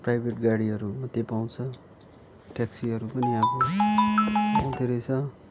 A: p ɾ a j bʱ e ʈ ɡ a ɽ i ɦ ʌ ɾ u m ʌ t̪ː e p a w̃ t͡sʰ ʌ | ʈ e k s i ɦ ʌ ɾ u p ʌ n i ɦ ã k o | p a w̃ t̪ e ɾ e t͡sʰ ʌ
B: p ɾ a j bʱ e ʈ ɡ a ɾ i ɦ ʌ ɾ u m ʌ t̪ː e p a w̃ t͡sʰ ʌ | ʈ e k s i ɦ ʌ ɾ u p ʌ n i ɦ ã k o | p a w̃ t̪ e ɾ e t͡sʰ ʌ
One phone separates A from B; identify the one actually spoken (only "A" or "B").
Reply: A